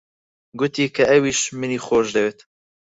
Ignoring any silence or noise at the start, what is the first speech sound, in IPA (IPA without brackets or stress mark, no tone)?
ɡ